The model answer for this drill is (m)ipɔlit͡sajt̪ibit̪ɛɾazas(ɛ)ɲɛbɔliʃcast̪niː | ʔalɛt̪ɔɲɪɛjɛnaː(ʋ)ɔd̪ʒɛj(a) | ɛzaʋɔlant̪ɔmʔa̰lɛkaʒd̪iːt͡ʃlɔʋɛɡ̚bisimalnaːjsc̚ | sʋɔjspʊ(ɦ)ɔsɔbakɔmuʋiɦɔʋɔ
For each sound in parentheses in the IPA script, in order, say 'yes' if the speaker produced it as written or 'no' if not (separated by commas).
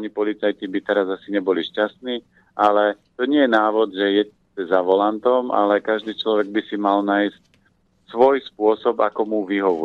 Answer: no, no, yes, no, no